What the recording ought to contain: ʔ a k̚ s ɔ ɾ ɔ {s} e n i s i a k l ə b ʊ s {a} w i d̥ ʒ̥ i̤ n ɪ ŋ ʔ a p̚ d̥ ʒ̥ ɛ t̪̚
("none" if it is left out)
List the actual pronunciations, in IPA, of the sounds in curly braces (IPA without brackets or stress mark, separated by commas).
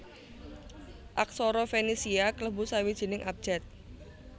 f, a